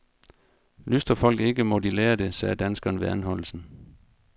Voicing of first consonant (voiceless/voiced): voiced